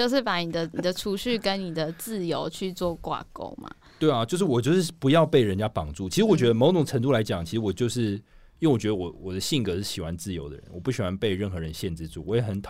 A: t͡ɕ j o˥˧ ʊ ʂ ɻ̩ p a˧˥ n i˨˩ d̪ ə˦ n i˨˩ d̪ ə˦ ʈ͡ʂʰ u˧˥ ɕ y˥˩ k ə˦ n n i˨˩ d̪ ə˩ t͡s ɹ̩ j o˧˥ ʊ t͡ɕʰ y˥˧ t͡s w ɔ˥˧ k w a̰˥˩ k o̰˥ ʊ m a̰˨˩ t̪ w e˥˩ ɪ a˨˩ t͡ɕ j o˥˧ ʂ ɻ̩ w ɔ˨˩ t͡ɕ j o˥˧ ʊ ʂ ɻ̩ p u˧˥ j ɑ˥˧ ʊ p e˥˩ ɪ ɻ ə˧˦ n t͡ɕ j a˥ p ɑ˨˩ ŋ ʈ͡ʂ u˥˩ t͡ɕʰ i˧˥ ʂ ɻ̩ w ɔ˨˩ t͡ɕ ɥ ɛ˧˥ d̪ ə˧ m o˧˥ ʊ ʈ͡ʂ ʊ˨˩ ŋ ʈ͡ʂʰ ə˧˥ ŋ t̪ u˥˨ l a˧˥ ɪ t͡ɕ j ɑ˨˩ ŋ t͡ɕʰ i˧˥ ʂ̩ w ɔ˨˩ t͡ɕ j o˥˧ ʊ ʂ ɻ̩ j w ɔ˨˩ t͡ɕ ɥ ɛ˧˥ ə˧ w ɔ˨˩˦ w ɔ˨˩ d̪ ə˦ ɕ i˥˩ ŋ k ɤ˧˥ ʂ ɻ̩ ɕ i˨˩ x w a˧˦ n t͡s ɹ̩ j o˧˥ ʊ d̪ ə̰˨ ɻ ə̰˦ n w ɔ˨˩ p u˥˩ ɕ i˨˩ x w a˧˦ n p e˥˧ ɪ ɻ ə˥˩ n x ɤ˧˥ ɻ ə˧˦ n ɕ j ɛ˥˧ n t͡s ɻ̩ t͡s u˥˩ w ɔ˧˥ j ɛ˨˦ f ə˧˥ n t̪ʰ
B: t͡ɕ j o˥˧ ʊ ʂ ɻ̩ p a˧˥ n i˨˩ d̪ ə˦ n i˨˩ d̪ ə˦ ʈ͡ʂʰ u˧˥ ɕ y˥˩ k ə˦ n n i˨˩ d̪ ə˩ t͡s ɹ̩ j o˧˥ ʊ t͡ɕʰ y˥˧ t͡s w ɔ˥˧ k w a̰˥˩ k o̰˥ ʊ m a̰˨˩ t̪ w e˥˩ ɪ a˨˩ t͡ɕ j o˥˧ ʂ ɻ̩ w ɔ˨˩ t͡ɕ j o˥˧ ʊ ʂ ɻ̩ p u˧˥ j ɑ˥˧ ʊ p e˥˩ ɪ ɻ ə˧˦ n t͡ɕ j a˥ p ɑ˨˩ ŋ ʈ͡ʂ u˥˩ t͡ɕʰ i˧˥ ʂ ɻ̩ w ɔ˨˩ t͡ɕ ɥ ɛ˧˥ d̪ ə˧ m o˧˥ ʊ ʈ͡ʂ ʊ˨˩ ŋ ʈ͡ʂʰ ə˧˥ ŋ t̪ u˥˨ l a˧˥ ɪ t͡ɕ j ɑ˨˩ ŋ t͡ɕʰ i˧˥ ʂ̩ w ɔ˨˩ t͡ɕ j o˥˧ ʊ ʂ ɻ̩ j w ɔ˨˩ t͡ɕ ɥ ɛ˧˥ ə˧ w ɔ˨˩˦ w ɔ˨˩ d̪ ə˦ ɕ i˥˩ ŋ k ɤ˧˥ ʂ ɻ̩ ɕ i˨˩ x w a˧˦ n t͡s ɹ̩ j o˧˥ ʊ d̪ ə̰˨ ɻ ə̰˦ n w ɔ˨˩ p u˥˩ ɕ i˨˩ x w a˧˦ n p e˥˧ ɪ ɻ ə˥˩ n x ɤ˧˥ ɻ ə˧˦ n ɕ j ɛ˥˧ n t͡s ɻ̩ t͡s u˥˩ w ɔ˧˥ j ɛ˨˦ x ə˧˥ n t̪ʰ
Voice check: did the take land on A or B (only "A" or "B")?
B